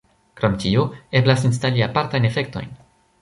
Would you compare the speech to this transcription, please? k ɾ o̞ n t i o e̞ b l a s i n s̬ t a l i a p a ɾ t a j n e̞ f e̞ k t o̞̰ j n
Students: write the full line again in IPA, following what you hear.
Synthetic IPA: k ɾ o̞ m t i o e̞ b l a s i n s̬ t a l i a p a ɾ t a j n e̞ f e̞ k t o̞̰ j n